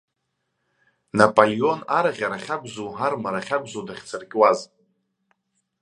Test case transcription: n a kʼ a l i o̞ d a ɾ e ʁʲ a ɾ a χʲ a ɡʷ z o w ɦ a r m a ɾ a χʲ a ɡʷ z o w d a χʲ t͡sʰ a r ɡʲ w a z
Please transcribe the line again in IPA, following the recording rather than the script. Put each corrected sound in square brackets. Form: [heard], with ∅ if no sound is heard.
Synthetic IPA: n a [pʼ] a l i o̞ [n] a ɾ [a] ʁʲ a ɾ a χʲ a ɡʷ z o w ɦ a r m a ɾ a χʲ a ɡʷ z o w d a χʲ t͡sʰ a r ɡʲ w a z